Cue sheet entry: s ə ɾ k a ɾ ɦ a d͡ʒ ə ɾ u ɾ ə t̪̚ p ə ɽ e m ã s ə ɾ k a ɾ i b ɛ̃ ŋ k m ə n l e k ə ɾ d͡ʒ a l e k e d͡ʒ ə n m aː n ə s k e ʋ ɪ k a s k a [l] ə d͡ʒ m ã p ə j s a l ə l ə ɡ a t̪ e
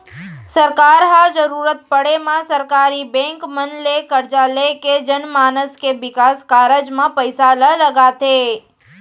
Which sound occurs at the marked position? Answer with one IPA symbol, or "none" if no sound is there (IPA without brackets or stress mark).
ɾ